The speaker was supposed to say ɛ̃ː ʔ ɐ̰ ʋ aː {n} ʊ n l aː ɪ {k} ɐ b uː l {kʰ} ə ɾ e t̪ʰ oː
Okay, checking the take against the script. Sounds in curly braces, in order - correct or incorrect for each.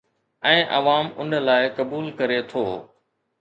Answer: incorrect: m, correct, incorrect: k

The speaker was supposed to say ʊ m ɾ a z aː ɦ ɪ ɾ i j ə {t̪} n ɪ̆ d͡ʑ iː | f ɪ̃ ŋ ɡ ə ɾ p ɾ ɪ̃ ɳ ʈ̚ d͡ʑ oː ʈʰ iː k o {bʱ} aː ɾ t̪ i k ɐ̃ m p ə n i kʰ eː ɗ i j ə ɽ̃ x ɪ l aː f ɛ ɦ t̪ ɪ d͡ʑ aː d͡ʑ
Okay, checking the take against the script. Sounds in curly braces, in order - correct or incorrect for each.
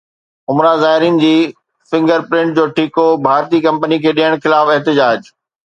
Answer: incorrect: none, correct

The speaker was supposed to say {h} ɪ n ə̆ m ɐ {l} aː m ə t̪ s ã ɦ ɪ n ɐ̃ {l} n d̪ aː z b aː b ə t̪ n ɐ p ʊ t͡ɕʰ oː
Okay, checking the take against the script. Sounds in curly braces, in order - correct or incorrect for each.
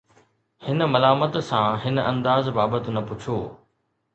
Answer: correct, correct, incorrect: none

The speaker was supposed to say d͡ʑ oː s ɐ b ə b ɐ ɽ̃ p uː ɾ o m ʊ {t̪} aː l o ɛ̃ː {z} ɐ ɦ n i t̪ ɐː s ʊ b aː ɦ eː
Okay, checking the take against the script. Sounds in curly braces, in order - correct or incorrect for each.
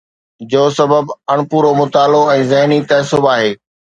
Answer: correct, correct

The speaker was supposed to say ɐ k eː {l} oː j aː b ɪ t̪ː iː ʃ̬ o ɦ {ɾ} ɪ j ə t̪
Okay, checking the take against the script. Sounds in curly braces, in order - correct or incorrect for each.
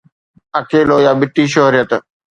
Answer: correct, correct

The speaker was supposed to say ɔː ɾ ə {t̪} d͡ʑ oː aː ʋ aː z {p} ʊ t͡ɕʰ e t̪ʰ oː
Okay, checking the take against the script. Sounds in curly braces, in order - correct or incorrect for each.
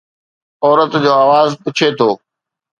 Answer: correct, correct

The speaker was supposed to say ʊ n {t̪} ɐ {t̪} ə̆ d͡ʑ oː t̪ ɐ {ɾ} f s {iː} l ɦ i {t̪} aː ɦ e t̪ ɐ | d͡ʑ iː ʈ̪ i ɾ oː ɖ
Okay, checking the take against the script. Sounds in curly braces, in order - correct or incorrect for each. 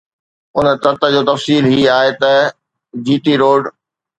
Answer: correct, correct, incorrect: none, correct, incorrect: none

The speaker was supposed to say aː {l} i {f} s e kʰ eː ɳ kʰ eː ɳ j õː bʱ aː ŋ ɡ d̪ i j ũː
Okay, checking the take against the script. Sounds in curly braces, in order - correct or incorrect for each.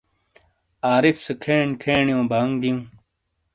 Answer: incorrect: ɾ, correct

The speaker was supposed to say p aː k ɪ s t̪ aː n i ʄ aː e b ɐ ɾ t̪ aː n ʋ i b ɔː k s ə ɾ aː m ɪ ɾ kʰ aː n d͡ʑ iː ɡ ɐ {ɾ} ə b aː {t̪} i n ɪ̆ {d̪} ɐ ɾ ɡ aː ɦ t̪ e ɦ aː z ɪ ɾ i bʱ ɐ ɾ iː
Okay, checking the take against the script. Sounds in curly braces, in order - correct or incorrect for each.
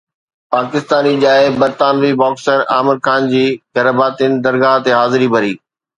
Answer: correct, correct, correct

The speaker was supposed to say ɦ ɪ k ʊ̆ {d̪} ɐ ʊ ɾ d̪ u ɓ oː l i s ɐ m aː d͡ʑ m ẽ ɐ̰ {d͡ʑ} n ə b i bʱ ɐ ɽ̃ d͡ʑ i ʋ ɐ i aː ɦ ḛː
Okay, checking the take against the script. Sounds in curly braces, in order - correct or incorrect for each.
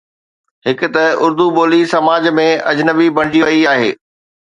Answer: incorrect: t̪, correct

